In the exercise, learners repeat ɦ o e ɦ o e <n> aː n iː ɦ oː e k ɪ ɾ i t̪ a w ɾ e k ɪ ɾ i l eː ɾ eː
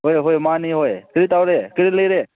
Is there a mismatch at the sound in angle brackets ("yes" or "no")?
yes